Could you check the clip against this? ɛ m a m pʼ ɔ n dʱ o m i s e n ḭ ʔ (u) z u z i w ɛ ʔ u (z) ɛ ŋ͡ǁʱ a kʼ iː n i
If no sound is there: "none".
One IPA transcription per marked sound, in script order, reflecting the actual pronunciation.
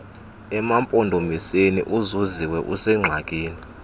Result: u, s

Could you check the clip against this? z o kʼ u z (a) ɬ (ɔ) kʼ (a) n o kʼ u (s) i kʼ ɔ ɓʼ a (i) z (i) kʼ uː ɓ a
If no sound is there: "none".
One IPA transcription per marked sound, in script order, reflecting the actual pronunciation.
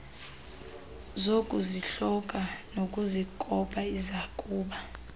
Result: i, ɔ, a, z, i, a

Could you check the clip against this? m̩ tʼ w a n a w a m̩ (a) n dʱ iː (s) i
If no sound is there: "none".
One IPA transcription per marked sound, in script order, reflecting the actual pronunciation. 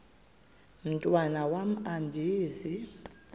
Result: a, z

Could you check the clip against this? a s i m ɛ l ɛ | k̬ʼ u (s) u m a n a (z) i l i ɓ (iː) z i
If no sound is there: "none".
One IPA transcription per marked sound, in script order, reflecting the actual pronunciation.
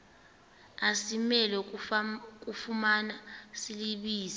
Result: f, s, iː

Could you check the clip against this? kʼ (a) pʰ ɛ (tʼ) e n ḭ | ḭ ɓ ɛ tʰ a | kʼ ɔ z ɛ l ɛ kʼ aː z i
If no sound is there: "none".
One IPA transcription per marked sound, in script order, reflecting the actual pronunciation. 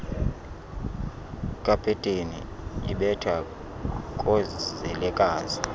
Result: a, tʼ

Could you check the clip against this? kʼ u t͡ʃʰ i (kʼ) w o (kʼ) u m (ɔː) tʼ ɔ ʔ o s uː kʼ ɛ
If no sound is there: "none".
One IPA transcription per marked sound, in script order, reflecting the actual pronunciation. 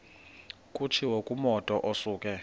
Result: none, kʼ, ɔ

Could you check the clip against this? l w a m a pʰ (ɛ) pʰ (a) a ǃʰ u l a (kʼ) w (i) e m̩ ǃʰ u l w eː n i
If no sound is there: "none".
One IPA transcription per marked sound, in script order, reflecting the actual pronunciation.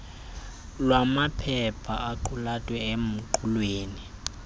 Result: ɛ, a, tʼ, ɛ

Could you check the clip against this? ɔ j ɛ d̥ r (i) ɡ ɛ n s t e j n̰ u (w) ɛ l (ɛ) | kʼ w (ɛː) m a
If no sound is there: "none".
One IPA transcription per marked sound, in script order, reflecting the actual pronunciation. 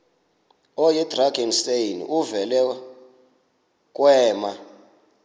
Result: a, v, ɛ, ɛː

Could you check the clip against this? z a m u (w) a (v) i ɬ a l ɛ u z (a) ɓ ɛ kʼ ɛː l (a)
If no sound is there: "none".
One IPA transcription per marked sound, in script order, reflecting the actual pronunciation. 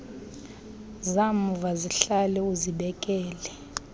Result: v, z, i, ɛ

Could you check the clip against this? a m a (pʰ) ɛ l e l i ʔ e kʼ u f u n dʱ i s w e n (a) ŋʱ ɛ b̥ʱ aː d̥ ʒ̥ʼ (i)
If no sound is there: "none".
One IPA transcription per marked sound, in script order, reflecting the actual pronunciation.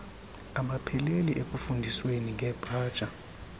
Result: pʰ, i, a

